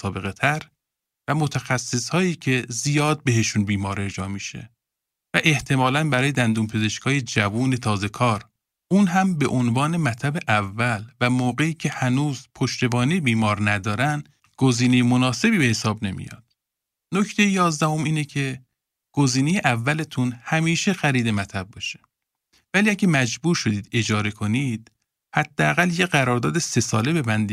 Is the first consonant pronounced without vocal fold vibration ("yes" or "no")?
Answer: yes